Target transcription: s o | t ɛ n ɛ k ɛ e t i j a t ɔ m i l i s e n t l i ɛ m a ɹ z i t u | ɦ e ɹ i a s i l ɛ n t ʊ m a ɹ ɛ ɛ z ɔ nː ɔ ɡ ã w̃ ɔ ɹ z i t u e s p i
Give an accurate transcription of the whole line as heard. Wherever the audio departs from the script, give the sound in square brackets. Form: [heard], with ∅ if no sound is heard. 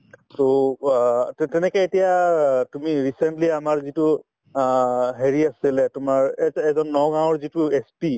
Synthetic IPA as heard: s o | t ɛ n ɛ k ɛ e t i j a t [u] m i [ɹ] i s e n t l i [a] m a ɹ z i t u | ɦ e ɹ i a s i l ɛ [∅] t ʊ m a ɹ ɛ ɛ z ɔ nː ɔ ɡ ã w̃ ɔ ɹ z i t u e s p i